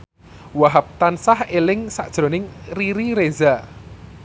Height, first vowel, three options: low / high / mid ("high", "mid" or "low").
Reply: low